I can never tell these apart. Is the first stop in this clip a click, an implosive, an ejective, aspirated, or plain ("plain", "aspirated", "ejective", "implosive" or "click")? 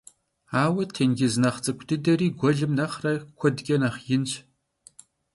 aspirated